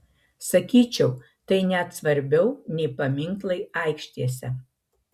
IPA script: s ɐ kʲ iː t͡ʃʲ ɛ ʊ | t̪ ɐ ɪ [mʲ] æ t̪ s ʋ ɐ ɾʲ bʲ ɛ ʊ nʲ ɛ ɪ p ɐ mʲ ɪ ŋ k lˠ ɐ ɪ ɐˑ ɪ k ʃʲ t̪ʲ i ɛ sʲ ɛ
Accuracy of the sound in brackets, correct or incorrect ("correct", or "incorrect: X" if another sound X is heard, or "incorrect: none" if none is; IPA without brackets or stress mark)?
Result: incorrect: nʲ